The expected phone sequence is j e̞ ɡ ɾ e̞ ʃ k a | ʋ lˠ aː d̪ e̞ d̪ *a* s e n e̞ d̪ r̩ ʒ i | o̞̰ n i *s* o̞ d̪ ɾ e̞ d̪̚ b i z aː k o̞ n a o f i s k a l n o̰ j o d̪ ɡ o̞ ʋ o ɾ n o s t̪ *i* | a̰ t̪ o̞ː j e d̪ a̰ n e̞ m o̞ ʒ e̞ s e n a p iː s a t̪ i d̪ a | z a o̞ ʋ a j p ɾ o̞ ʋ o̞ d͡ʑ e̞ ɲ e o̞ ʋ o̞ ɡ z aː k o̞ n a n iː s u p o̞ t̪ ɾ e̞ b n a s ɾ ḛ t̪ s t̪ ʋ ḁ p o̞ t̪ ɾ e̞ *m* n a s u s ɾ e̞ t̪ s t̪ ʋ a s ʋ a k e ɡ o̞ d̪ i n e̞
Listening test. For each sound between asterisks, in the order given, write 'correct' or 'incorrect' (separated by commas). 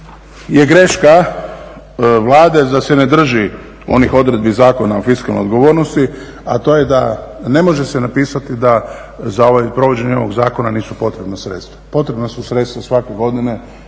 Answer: correct, incorrect, correct, incorrect